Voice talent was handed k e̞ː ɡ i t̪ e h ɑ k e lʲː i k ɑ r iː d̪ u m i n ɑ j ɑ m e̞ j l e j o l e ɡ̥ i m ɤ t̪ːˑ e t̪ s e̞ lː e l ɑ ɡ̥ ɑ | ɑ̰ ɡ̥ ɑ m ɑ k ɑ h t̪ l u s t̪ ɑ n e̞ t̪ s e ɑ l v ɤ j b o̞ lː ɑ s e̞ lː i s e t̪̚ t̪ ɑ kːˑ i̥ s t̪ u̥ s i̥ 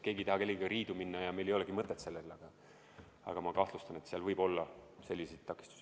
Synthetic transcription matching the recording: k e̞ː ɡ i t̪ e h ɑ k e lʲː i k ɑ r iː d̪ u m i nː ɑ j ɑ m e̞ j l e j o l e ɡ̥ i m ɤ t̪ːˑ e t̪ s e̞ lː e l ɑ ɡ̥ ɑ | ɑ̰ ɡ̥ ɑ m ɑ k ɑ h t̪ l u s t̪ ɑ n e̞ t̪ s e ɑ l v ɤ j b o̞ lː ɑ s e̞ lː i s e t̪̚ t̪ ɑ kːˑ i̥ s t̪ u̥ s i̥